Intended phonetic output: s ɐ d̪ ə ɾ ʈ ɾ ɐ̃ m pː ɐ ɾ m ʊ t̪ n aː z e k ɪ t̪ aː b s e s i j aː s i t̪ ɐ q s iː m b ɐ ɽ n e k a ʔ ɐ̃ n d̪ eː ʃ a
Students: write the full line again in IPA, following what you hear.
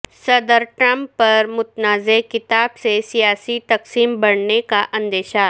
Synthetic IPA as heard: s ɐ d̪ ə ɾ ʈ ɾ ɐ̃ m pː ɐ ɾ m ʊ t̪ n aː z e k ɪ t̪ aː b s e s i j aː s i t̪ ɐ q s iː m b ɐ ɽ n e k a ʔ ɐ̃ n d̪ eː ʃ a

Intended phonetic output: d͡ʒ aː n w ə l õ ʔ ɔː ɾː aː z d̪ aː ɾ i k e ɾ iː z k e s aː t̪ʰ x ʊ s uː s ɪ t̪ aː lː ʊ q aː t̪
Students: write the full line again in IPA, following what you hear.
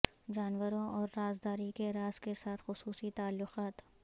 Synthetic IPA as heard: d͡ʒ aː n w ə ɾ õ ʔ ɔː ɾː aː z d̪ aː ɾ i k e ɾ aː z k e s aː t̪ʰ x ʊ s uː s i t̪ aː lː ʊ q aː t̪

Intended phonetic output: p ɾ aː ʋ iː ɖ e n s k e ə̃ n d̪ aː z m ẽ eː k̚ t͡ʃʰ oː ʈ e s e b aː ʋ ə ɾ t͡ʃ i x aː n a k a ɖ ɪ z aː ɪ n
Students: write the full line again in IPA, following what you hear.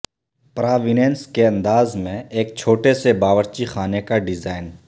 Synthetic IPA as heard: p ɾ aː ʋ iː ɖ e n s k e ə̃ n d̪ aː z m ẽ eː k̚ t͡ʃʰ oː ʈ e s e b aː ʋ ə ɾ t͡ʃ i x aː n e k a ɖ ɪ z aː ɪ n

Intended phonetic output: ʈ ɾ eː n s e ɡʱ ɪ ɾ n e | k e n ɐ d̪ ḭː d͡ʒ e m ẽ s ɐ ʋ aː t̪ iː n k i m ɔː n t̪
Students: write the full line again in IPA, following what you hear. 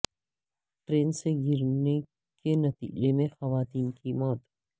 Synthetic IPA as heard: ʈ ɾ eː n s e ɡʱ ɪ ɾ n e | k e n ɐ t̪ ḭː d͡ʒ e m ẽ x ɐ ʋ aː t̪ iː n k i m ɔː t̪

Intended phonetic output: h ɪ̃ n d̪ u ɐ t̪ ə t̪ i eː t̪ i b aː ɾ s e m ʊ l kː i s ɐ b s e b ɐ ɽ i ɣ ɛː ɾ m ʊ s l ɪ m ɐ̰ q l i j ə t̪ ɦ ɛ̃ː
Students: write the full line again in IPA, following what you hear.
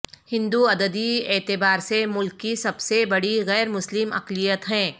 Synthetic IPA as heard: h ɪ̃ n d̪ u ɐ d̪ ə d̪ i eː t̪ ɪ b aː ɾ s e m ʊ l kː i s ɐ b s e b ɐ ɽ i ɣ ɛː ɾ m ʊ s l ɪ m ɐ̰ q l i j ə t̪ ɦ ɛ̃ː

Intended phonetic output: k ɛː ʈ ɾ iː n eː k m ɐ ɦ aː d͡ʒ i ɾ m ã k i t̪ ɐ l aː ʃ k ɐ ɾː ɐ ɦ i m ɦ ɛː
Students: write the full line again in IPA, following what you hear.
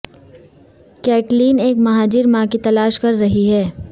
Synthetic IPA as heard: k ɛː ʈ l iː n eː k m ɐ ɦ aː d͡ʒ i ɾ m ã k i t̪ ɐ l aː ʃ k ɐ ɾː ɐ ɦ i ɦ ɛː

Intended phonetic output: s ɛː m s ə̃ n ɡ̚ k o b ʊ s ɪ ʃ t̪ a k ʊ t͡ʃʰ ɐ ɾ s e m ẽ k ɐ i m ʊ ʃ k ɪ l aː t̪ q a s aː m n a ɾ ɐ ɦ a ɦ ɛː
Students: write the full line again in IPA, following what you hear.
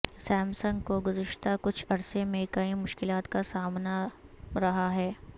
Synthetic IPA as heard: s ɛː m s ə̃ ŋ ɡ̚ k o ɡ ʊ z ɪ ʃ t̪ a k ʊ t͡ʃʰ ɐ ɾ s e m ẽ k ɐ i m ʊ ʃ k ɪ l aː t̪ k a s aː m n a ɾ ɐ ɦ a ɦ ɛː

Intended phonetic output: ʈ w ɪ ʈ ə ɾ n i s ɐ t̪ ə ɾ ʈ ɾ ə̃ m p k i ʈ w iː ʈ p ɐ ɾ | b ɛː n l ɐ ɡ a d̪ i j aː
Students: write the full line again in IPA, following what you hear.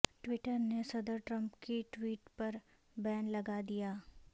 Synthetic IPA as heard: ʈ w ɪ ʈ ə ɾ n e s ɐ d̪ ə ɾ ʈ ɾ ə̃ m p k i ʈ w iː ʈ p ɐ ɾ | b ɛː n l ɐ ɡ a d̪ i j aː

